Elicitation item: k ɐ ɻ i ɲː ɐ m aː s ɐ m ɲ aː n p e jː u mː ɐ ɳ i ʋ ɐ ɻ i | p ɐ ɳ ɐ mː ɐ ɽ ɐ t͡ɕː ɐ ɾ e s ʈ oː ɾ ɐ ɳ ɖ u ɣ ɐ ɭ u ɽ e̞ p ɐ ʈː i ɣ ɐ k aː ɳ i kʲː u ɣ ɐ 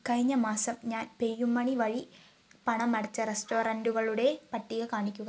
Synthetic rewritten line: k ɐ ɻ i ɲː ɐ m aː s ɐ m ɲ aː n p e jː u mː ɐ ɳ i ʋ ɐ ɻ i | p ɐ ɳ ɐ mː ɐ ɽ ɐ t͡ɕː ɐ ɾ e s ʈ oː ɾ ɐ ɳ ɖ u ɣ ɐ ɭ u ɽ e̞ p ɐ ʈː i ɣ ɐ k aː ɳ i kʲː u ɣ ɐ